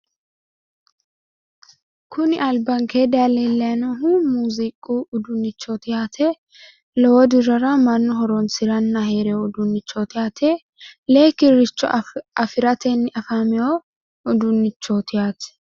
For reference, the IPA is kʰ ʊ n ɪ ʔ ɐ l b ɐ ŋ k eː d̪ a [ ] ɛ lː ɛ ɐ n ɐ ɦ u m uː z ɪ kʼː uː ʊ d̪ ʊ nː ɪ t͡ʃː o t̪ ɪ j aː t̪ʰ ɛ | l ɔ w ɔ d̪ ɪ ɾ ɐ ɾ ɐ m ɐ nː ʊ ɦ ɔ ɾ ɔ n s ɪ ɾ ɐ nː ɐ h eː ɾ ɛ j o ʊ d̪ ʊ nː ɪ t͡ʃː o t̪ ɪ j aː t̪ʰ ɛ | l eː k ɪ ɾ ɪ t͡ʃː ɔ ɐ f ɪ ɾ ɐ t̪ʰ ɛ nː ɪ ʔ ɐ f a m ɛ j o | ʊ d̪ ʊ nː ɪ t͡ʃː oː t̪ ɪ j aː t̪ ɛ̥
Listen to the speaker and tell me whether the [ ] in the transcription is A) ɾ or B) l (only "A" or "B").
B